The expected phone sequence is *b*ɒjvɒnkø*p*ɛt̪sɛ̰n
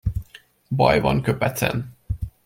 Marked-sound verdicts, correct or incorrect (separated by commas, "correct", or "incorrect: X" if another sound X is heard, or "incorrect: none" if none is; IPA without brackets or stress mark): correct, correct